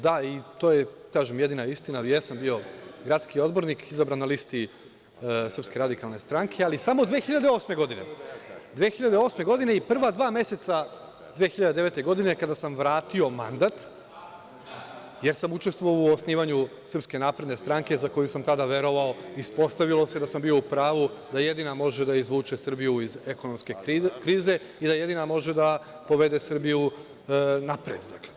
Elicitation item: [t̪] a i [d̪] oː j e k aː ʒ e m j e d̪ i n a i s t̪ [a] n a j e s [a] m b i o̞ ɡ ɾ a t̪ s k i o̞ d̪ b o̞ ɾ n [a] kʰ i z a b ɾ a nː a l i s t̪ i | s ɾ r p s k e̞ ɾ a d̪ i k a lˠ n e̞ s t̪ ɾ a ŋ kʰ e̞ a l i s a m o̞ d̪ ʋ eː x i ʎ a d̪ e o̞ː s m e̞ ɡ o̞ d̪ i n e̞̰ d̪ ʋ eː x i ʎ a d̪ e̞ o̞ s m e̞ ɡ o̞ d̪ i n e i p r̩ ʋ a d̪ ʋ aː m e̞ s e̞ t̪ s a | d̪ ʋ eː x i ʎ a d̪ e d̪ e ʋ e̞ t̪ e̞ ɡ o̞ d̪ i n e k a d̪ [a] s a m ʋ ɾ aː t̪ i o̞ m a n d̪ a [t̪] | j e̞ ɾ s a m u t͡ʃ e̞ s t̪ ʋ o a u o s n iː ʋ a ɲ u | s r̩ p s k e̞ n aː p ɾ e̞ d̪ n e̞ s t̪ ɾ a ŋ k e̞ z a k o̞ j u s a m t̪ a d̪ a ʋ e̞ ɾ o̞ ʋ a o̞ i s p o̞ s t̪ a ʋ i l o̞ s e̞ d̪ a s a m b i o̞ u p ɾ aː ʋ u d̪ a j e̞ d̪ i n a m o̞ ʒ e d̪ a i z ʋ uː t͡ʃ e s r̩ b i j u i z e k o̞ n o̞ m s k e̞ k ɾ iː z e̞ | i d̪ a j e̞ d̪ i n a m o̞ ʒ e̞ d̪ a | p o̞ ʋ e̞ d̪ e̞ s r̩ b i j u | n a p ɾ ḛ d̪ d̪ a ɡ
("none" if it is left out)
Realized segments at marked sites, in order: d̪, t̪, i, a, i, a, t̪

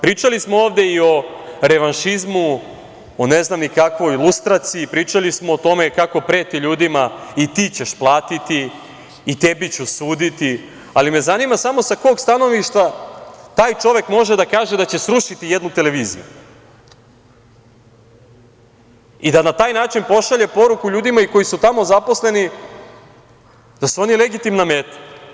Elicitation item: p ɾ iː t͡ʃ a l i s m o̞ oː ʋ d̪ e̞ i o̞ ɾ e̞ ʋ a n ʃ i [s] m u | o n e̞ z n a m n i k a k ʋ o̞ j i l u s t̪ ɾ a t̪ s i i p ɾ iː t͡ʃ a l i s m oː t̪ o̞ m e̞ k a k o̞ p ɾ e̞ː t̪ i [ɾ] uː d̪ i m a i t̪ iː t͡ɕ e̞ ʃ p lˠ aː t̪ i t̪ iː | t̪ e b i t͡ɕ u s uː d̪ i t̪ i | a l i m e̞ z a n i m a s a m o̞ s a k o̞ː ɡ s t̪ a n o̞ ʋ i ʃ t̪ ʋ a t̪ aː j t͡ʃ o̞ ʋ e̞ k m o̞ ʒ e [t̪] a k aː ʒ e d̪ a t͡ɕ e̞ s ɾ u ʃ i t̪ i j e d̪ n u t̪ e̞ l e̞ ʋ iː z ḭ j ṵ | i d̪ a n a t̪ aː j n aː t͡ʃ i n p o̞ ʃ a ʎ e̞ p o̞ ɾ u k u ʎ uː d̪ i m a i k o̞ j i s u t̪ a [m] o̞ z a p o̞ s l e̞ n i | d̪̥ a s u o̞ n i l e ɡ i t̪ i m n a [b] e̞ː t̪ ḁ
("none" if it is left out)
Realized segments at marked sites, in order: z, ʎ, d̪, m, m

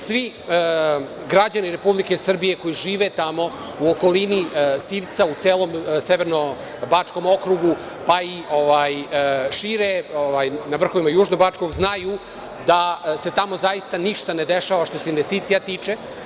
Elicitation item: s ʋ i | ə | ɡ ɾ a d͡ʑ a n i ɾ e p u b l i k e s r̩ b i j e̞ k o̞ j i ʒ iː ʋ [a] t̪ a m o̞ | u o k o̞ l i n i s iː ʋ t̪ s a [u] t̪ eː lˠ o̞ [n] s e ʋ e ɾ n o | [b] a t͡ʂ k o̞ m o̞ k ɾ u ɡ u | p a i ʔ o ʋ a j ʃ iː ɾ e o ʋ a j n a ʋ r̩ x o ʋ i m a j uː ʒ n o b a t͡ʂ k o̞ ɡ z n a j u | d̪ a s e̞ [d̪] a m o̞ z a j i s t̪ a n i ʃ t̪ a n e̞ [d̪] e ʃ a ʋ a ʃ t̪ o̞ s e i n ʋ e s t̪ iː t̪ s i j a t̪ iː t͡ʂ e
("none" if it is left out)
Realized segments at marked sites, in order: e, u, m, b, t̪, d̪

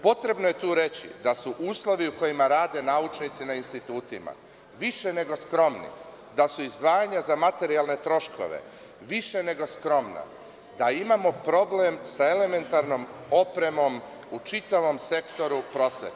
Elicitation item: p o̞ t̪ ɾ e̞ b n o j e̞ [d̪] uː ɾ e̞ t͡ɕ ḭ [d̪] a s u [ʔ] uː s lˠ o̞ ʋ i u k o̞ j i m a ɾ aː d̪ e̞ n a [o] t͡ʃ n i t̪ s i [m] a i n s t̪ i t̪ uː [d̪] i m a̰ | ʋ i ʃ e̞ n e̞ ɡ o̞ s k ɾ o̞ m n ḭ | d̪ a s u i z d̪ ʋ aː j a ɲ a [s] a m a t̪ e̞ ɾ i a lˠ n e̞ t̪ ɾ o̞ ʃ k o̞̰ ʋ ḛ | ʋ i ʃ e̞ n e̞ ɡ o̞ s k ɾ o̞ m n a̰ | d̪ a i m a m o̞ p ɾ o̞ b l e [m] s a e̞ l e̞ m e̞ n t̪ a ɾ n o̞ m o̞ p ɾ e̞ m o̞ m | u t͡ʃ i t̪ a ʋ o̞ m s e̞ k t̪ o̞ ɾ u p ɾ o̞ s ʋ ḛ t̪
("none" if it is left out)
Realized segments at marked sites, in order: t̪, d̪, ʔ, u, n, t̪, z, m

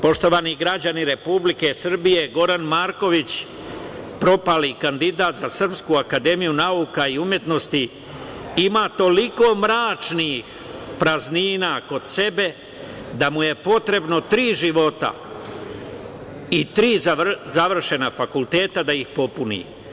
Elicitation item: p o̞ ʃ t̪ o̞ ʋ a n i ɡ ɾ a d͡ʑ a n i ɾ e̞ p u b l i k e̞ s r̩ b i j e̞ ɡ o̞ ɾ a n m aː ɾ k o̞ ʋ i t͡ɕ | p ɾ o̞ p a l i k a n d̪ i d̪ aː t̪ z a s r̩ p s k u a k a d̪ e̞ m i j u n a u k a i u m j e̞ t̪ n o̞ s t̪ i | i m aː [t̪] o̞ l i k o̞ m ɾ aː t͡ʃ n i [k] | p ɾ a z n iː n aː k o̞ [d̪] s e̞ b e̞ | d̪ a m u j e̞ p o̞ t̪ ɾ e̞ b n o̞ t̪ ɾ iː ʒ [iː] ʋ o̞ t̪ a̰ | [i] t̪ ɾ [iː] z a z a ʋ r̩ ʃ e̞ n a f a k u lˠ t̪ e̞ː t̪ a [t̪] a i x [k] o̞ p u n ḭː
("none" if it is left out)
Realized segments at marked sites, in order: t̪, x, d̪, i, i, iː, d̪, p

